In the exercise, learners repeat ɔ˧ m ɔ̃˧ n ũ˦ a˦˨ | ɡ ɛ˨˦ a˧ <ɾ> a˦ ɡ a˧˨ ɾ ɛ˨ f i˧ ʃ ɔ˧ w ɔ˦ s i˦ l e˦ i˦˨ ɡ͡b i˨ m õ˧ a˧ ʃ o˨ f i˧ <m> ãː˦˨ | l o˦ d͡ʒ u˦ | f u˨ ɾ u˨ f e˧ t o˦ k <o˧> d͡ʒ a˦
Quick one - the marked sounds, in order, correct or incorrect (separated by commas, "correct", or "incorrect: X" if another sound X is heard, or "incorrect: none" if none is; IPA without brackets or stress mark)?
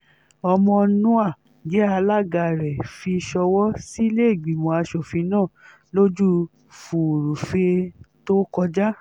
incorrect: l, incorrect: n, incorrect: ɔ˧